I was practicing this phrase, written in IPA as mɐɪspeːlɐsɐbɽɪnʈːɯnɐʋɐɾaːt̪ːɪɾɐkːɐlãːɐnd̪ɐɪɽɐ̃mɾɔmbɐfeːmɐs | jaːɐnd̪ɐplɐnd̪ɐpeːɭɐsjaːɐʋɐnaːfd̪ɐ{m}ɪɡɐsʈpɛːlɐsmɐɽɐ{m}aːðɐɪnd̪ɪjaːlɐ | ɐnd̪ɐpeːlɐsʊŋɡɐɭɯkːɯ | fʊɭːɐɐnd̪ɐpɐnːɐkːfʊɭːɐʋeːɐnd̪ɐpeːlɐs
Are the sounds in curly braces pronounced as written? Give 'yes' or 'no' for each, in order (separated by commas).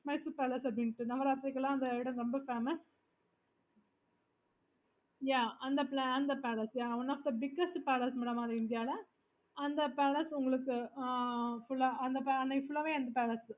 no, yes